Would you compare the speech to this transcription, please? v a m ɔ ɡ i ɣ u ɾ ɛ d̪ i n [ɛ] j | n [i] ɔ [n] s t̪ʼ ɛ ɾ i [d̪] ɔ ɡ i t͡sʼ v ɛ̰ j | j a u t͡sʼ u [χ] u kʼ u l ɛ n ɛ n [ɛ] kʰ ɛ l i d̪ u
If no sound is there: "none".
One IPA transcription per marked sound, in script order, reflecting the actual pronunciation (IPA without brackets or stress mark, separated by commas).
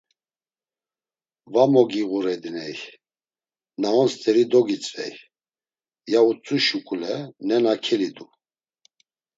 ɛ, a, n, d̪, ʃ, a